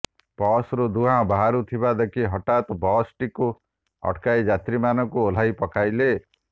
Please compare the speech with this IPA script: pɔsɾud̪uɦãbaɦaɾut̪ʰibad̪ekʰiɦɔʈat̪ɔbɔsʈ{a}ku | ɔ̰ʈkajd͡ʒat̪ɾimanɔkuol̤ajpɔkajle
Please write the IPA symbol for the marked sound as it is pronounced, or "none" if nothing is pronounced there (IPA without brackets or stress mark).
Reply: i